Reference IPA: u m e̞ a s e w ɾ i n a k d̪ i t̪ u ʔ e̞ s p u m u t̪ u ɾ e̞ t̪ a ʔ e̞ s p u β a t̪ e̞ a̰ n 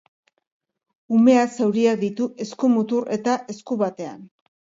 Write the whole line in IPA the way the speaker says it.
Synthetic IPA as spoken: u m e̞ a s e w ɾ i a k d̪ i t̪ u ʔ e̞ s k u m u t̪ u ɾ e̞ t̪ a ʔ e̞ s k u β a t̪ e̞ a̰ n